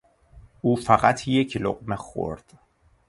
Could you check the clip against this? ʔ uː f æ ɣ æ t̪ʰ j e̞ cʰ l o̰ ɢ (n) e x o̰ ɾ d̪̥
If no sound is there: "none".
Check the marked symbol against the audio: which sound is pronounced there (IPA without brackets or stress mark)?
m